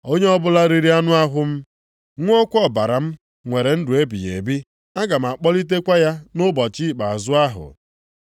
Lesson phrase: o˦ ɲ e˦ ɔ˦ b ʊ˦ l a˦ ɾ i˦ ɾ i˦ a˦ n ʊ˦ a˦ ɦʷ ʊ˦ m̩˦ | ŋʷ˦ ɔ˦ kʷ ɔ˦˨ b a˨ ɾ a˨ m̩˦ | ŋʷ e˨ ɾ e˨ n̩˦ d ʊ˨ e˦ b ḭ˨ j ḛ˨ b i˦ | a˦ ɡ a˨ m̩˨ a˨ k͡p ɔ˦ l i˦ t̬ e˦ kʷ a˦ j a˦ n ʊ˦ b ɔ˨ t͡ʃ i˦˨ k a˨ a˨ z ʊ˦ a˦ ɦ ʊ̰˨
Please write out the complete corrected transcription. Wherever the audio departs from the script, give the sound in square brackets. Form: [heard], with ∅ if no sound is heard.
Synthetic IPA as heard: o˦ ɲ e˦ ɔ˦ b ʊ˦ l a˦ ɾ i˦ ɾ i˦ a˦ n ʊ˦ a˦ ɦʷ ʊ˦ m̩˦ | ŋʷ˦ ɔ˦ kʷ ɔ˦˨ b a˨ ɾ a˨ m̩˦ | ŋʷ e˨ ɾ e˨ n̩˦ d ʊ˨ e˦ b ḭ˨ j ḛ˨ b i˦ | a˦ ɡ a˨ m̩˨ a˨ k͡p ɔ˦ l i˦ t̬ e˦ kʷ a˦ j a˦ n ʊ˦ b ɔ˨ t͡ʃ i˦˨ [k͡p] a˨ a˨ z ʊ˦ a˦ ɦ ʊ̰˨